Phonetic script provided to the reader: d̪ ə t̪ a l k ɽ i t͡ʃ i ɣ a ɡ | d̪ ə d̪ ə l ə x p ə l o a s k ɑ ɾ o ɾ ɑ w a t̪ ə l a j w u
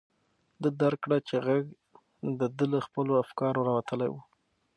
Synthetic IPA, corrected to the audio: d̪ ə d̪ a ɾ k ɽ a t͡ʃ e ɣ a ɡ | d̪ ə d̪ ə l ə x p ə l o a f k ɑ ɾ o ɾ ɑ w a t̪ ə l a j w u